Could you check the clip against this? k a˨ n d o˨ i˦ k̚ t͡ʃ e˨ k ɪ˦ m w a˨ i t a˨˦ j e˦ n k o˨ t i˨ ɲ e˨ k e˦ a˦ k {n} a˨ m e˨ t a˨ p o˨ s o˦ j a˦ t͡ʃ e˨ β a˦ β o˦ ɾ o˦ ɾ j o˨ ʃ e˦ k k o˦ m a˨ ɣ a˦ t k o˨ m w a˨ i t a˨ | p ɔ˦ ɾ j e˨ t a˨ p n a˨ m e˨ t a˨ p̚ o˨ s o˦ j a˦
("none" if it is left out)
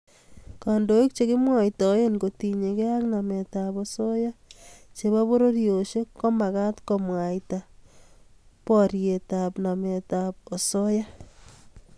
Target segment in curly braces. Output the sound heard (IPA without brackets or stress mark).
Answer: n